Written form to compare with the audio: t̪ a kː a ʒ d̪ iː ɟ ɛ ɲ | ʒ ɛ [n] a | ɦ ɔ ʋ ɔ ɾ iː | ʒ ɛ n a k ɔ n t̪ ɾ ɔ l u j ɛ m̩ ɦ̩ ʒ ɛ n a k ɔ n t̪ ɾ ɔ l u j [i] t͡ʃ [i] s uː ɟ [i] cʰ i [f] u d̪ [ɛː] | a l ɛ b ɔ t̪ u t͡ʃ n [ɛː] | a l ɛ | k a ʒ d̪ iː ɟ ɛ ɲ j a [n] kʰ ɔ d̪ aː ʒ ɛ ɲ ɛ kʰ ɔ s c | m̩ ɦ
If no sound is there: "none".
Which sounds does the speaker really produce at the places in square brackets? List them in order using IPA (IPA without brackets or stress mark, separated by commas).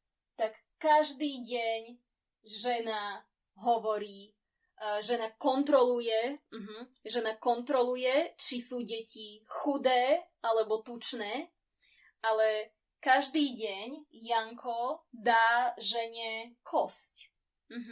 n, ɛ, i, ɛ, x, ɛː, ɛː, ŋ